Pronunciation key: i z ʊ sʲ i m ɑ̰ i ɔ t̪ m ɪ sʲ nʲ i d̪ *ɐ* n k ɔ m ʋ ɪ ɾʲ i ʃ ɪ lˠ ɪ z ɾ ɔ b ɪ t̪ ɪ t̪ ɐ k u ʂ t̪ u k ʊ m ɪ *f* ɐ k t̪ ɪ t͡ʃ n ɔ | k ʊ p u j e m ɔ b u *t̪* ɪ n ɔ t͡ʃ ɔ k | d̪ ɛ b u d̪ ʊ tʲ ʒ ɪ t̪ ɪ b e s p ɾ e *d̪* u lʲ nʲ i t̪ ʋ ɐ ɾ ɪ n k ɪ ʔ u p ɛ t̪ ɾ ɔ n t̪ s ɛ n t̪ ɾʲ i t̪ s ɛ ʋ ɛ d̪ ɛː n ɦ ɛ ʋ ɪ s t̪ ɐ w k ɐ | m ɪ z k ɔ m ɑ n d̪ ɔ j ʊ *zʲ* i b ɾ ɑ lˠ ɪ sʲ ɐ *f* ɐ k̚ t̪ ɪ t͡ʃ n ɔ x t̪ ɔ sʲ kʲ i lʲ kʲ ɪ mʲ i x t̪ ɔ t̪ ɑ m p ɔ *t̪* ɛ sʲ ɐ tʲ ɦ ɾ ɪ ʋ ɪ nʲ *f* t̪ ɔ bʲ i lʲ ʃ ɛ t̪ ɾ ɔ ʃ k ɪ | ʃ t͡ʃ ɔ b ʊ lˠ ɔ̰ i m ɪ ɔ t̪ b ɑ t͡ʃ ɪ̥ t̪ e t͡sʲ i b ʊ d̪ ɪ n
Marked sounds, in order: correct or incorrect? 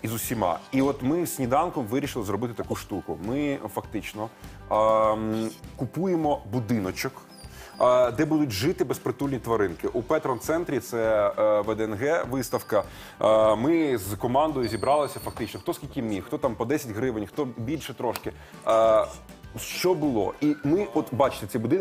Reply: incorrect: ɑ, correct, incorrect: d̪, incorrect: t̪, correct, correct, incorrect: d̪, incorrect: x

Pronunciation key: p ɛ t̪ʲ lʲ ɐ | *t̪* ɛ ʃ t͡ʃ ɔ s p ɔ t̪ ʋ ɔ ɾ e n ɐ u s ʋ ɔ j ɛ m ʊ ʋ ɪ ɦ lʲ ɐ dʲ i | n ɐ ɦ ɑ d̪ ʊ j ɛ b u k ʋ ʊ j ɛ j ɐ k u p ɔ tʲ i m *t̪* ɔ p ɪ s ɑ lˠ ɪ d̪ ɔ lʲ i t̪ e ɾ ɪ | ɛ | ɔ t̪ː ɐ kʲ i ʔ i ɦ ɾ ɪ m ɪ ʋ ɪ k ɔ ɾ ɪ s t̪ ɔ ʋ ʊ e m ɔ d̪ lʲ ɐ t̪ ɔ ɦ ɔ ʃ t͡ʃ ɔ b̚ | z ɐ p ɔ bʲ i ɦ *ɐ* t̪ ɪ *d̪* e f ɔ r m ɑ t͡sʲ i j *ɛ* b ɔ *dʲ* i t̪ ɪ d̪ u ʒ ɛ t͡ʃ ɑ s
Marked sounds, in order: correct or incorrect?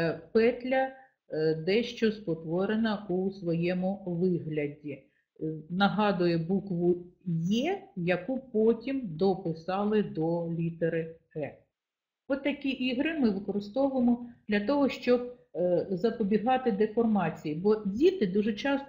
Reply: incorrect: d̪, incorrect: d̪, incorrect: ɑ, correct, incorrect: i, correct

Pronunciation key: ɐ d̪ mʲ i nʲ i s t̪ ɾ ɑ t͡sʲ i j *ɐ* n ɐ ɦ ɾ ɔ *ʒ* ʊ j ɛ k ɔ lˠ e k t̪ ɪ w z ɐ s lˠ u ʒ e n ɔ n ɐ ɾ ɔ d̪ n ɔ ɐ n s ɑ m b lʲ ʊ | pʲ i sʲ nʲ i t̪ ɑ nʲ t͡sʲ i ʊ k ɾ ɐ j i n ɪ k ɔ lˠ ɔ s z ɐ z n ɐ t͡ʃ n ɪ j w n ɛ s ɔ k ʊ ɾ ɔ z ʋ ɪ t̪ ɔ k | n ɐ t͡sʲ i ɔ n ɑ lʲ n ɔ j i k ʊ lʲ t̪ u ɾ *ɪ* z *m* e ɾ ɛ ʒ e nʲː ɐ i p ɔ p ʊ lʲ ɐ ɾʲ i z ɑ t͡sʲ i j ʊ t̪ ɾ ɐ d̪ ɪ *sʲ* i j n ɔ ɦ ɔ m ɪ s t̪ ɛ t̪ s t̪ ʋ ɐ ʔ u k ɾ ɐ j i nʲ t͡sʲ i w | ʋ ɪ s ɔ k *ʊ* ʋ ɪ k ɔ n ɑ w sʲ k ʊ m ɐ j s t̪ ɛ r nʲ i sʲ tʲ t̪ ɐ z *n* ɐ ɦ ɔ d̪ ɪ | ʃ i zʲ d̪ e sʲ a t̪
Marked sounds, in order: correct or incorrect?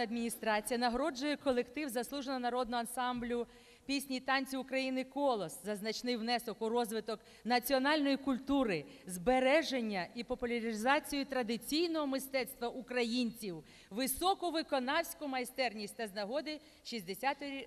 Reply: correct, incorrect: d͡ʒ, correct, incorrect: b, incorrect: t͡sʲ, correct, correct

